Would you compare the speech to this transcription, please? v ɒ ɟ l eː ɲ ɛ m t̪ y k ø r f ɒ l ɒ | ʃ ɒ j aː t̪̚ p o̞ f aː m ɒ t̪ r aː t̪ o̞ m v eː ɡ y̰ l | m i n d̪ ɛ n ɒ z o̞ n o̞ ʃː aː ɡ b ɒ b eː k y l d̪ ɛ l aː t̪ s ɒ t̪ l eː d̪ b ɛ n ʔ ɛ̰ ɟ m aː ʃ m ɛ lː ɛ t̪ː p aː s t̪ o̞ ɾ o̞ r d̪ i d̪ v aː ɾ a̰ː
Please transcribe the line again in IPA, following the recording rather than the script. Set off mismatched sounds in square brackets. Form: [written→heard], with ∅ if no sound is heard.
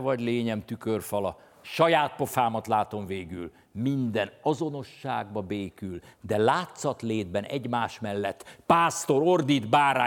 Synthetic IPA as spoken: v ɒ ɟ l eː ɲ ɛ m t̪ y k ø r f ɒ l ɒ | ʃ ɒ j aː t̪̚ p o̞ f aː m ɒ t̪ [r→l] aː t̪ o̞ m v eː ɡ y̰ l | m i n d̪ ɛ n ɒ z o̞ n o̞ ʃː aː ɡ b ɒ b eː k y l d̪ ɛ l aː t̪ s ɒ t̪ l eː d̪ b ɛ n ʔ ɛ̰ ɟ m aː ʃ m ɛ lː ɛ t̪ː p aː s t̪ o̞ ɾ o̞ r d̪ i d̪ [v→b] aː ɾ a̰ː